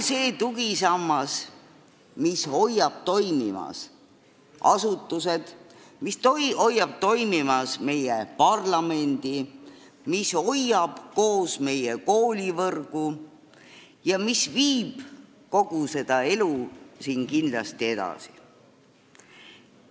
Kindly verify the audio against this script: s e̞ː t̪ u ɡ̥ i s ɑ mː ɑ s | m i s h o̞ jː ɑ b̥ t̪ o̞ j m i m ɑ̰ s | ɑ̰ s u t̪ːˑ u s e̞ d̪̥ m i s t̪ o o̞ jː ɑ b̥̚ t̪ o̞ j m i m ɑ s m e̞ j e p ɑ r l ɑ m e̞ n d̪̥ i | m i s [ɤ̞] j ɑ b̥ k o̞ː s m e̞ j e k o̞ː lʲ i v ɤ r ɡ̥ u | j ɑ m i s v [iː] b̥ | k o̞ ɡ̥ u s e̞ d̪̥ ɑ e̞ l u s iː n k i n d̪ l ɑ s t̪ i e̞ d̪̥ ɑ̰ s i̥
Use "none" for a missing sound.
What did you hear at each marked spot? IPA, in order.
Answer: o̞, iː

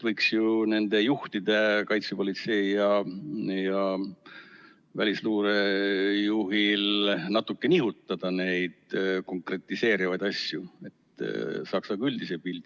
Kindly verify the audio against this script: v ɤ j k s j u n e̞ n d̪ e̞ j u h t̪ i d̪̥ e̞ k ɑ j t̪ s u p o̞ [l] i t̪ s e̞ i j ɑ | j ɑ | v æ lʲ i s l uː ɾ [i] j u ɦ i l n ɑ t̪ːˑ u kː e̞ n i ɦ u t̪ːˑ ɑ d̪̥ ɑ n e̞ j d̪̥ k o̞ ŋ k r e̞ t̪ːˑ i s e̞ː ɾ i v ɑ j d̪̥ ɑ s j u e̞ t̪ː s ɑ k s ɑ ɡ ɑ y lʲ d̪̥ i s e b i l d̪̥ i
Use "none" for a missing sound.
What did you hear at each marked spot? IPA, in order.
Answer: l, e

